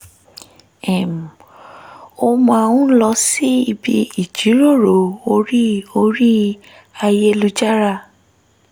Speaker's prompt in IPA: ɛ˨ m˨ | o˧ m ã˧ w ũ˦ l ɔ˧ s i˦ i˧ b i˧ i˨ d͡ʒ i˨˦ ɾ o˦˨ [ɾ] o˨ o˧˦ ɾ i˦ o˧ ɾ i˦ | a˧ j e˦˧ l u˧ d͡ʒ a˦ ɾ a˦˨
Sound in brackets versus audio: correct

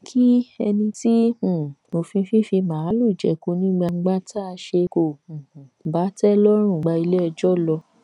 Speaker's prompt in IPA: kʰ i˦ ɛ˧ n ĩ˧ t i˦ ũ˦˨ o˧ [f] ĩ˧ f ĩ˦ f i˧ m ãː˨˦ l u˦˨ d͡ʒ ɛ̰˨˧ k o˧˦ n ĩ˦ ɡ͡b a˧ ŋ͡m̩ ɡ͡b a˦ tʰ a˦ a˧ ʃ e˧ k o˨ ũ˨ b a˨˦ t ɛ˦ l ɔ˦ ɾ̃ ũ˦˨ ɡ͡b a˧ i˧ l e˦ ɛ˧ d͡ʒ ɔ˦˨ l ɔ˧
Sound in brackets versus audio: correct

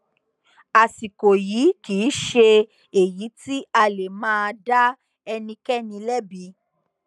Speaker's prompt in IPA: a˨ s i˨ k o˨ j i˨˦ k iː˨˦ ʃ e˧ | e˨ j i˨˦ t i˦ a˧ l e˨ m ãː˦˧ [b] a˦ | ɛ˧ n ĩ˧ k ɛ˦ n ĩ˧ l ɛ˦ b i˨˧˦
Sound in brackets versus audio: incorrect: d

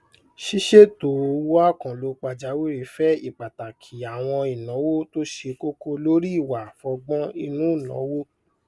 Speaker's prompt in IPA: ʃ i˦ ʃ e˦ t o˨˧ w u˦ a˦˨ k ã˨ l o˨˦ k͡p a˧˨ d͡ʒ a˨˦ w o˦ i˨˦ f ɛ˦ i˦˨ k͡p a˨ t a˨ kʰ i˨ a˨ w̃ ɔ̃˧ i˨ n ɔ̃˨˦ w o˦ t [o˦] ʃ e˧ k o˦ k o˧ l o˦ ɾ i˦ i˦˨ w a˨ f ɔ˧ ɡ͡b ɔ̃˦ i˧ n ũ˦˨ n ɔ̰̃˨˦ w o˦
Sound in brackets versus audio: correct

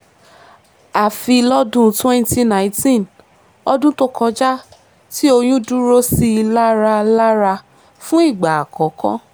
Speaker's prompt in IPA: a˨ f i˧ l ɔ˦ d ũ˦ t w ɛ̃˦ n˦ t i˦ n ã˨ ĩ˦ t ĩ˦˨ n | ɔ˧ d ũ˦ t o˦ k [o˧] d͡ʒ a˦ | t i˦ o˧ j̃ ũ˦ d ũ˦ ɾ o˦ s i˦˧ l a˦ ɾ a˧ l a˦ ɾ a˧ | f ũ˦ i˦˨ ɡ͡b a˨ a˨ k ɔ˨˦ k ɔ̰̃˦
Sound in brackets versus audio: incorrect: ɔ˧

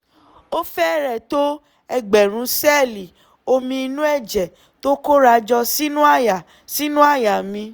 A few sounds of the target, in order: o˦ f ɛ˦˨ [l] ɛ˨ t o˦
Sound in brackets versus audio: incorrect: ɾ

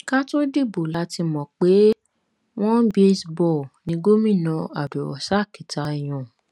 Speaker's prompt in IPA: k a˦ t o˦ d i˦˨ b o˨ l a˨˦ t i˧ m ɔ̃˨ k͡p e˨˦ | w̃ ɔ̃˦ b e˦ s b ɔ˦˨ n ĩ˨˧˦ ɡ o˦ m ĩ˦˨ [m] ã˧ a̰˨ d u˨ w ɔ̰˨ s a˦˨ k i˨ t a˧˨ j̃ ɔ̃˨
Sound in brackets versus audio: incorrect: n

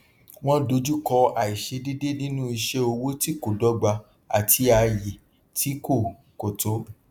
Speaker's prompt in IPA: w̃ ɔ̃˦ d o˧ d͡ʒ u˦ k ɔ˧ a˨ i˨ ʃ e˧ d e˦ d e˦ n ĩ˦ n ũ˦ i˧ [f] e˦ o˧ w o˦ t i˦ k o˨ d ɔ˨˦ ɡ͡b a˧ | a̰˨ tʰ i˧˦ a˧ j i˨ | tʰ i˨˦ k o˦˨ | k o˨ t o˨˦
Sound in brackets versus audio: incorrect: ʃ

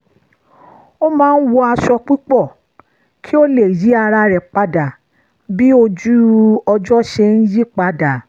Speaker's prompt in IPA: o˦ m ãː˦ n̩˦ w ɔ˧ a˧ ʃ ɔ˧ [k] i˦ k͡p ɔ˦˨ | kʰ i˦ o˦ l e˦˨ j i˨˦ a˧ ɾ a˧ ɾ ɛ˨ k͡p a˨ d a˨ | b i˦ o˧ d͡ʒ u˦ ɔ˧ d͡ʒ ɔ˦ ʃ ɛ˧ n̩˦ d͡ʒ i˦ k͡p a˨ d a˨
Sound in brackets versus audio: incorrect: k͡p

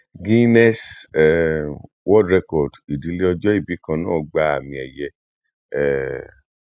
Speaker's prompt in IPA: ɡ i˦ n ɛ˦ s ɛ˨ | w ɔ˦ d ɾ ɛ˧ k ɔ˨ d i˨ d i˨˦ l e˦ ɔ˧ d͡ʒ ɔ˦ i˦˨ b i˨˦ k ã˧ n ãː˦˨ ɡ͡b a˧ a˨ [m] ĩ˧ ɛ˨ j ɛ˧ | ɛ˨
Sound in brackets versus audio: correct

